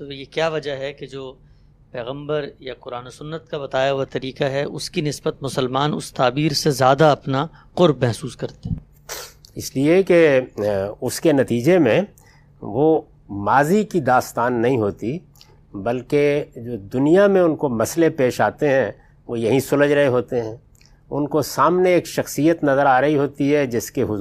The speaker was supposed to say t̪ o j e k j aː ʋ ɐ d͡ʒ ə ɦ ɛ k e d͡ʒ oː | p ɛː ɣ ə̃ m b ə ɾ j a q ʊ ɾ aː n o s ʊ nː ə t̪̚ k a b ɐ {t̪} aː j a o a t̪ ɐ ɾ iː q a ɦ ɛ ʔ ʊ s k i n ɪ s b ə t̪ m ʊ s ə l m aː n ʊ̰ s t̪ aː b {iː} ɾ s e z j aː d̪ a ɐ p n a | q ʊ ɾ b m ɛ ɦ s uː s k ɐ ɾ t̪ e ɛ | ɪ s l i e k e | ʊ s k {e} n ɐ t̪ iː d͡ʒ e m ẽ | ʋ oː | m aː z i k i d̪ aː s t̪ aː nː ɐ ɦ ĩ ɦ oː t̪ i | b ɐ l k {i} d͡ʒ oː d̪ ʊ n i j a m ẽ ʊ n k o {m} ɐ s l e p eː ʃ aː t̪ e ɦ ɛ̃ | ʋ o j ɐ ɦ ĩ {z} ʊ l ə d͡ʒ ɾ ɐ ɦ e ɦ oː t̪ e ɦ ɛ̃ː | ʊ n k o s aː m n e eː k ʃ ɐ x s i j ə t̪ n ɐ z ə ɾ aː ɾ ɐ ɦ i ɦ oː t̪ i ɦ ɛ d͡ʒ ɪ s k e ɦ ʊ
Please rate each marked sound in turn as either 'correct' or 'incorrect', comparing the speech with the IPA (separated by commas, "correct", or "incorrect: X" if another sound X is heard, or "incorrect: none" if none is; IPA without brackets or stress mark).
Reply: correct, correct, correct, incorrect: e, correct, incorrect: s